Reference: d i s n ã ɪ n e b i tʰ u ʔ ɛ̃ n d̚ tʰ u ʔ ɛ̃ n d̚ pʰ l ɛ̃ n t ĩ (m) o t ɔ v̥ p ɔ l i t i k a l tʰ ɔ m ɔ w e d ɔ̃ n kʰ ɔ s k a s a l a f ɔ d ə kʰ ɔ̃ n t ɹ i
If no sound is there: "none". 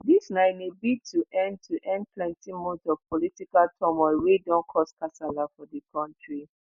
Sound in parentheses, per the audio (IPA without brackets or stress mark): m